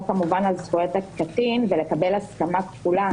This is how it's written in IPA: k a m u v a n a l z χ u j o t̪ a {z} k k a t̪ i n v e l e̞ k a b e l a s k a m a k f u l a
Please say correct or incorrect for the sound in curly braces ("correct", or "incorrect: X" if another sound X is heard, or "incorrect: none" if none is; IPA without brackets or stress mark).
incorrect: none